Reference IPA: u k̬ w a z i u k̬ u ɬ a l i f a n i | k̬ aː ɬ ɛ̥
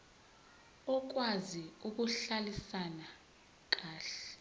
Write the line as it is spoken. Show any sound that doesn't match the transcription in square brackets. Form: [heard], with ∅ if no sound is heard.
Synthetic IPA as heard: [ɔ] k̬ w a z i u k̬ u ɬ a l i [s] a n [a] | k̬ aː ɬ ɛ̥